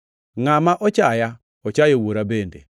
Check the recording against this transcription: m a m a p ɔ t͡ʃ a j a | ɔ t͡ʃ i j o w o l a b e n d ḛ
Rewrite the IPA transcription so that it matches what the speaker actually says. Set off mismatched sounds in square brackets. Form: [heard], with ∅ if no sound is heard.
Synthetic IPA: [ŋ] a m a [ʔ] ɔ t͡ʃ a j a | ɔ t͡ʃ [a] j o w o [ɾ] a b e n d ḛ